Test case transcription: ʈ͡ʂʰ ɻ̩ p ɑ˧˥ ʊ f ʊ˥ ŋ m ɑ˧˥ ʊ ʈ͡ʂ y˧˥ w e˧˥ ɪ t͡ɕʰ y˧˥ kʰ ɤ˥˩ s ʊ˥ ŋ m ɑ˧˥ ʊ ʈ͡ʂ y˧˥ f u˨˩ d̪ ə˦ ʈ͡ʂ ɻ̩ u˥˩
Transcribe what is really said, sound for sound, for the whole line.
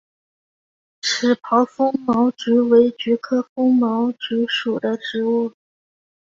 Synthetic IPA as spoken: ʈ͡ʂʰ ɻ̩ pʰ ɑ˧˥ ʊ f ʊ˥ ŋ m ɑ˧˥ ʊ ʈ͡ʂ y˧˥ w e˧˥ ɪ t͡ɕ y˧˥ kʰ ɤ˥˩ f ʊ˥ ŋ m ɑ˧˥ ʊ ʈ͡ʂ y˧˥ ʂ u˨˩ d̪ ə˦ ʈ͡ʂ ɻ̩ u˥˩

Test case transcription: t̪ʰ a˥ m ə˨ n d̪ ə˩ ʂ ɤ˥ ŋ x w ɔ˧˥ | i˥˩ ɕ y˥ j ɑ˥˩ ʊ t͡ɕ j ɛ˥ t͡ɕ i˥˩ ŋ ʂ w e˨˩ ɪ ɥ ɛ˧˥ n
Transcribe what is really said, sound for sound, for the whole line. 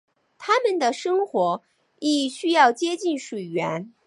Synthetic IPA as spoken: t̪ʰ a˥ m ə˨ n d̪ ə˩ ʂ ɤ˥ ŋ x w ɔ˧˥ | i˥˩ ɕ y˥ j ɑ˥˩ ʊ t͡ɕ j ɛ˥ t͡ɕ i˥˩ n ʂ w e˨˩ ɪ ɥ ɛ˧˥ n

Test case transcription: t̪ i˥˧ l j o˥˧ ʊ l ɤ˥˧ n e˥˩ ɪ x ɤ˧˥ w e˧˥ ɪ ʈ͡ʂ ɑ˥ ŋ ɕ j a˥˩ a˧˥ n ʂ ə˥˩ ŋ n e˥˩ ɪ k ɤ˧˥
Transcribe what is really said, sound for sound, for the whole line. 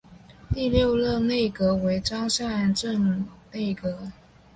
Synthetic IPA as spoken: t̪ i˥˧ l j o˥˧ ʊ l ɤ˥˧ n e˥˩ ɪ k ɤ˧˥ w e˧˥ ɪ ʈ͡ʂ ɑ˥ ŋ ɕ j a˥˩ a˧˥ n ʈ͡ʂ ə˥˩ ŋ n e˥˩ ɪ k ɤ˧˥

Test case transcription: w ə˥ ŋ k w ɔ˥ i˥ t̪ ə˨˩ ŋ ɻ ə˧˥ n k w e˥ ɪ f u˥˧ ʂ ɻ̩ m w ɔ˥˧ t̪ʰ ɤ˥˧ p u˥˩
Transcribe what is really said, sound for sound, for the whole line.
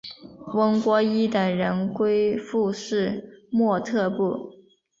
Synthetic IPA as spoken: w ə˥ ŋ k w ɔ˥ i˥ t̪ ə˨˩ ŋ ɻ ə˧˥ n k w e˥ ɪ f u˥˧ ʂ ɻ̩ m w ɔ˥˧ t̪ʰ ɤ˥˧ p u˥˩

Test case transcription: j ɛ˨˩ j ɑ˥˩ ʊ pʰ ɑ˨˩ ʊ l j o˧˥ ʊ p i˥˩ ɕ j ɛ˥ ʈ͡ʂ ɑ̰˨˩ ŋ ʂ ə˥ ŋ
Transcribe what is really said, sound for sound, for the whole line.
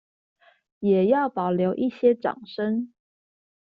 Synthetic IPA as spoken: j ɛ˨˩ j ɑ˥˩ ʊ p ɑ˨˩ ʊ l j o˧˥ ʊ ʔ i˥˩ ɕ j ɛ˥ ʈ͡ʂ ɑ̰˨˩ ŋ ʂ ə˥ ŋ

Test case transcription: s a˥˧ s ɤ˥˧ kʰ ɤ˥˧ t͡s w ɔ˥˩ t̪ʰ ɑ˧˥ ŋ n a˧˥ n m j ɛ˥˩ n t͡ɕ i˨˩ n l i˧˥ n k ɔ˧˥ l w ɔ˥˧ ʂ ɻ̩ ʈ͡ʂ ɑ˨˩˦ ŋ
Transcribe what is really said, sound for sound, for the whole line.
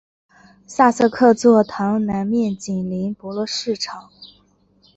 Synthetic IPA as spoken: s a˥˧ s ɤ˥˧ kʰ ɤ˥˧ t͡s w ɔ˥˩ t̪ʰ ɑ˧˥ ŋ n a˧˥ n m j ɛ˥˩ n t͡ɕ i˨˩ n l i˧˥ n p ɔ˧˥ l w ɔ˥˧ ʂ ɻ̩ ʈ͡ʂʰ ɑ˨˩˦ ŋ

